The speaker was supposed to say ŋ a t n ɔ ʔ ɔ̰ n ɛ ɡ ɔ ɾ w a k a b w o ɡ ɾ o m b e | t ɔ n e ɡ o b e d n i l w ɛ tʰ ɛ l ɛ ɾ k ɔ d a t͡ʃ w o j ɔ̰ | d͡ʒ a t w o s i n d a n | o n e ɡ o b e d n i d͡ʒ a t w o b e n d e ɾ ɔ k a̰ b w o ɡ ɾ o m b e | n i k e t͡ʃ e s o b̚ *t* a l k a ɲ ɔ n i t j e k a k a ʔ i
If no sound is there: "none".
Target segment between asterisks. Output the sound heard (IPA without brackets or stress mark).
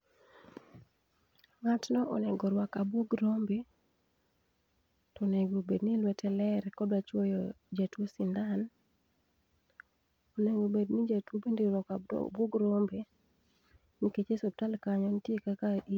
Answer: t